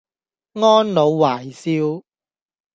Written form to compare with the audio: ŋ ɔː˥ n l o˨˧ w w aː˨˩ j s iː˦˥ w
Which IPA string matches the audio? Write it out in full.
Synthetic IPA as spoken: ŋ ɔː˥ n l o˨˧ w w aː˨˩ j s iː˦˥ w